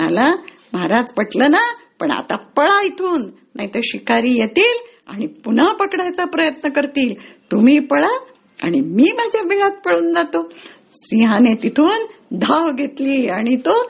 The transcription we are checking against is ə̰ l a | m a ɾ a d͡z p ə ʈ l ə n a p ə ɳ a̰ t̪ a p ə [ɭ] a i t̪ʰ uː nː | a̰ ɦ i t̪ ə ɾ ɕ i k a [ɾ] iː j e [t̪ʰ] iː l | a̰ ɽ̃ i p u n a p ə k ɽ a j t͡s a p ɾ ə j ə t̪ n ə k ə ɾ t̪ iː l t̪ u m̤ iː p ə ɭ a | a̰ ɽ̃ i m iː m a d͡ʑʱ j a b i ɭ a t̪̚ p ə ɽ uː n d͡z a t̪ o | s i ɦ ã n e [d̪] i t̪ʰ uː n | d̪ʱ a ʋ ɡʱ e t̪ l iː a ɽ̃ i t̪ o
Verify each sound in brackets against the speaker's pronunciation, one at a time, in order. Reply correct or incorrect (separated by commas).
correct, correct, incorrect, incorrect